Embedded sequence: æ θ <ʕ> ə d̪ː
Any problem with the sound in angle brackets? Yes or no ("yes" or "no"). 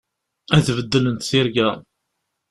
yes